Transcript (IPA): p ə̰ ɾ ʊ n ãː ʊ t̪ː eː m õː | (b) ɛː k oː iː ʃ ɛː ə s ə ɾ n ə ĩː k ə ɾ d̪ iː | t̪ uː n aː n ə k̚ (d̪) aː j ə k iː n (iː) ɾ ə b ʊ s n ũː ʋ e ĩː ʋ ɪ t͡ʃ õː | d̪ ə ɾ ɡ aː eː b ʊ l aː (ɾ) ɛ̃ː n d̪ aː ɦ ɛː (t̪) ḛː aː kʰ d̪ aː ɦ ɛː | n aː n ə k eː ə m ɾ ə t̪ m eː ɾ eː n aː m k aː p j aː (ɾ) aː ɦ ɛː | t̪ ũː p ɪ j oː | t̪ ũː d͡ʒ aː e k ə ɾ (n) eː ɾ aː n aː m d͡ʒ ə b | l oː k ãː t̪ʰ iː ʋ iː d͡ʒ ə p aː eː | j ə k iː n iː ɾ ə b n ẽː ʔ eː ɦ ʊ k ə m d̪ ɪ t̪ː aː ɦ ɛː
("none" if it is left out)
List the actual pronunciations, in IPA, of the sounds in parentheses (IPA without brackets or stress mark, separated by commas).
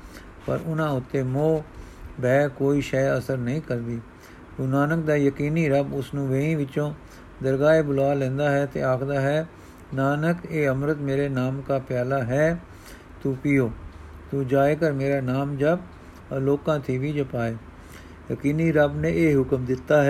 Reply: b, d̪, iː, l, t̪, l, m